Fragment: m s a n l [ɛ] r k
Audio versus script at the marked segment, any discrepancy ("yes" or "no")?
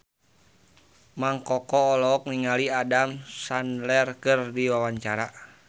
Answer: no